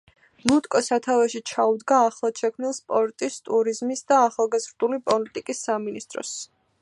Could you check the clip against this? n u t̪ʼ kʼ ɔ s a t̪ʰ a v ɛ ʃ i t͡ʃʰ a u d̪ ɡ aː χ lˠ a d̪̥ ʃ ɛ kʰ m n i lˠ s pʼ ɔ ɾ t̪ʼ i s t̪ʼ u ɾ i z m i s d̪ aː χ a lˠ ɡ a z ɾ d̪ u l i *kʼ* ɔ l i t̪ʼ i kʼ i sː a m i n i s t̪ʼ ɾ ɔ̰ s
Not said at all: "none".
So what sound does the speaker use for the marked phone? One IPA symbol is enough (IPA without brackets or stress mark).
pʼ